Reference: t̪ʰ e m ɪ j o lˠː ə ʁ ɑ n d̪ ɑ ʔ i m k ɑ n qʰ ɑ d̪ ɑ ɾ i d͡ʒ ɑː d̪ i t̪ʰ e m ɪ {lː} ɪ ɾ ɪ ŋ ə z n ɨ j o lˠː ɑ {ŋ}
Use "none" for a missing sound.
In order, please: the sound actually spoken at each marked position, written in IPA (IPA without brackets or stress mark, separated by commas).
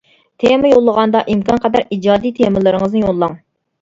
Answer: l, ŋ